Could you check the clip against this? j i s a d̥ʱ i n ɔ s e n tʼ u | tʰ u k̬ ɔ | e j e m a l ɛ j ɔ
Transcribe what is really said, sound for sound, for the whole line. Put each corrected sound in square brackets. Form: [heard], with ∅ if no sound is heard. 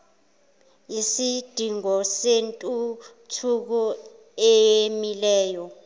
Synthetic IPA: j i s [i] d̥ʱ i [ŋ] ɔ s e n tʼ u | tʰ u k̬ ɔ | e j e m [i] l [ɛː] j ɔ